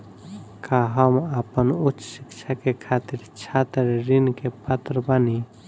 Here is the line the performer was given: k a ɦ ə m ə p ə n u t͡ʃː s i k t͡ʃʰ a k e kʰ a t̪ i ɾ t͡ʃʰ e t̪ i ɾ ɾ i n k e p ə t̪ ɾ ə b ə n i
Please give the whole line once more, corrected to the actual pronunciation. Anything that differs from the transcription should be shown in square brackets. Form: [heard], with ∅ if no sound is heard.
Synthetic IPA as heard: k a ɦ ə m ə p ə n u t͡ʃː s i k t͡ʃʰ a k e kʰ a t̪ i ɾ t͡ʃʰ [a] t̪ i ɾ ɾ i n k e p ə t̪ ɾ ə b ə n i